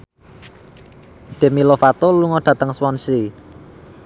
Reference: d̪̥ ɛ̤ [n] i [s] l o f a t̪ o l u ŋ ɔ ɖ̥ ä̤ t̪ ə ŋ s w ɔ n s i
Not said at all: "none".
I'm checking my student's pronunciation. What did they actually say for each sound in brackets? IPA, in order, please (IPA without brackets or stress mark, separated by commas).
m, none